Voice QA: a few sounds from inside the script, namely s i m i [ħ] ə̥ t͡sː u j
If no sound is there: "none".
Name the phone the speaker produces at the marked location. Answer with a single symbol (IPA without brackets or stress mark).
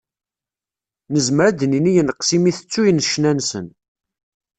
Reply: θ